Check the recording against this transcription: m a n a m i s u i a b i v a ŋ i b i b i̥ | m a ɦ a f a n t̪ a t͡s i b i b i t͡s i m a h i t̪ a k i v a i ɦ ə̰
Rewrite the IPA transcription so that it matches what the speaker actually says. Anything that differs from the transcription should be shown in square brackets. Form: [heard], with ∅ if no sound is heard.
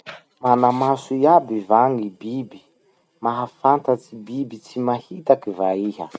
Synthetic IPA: m a n a m [a] s u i a b i v a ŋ i b i b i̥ | m a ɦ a f a n t̪ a t͡s i b i b i t͡s i m a h i t̪ a k i v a i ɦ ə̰